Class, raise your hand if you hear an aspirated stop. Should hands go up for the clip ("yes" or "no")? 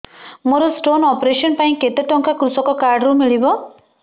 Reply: no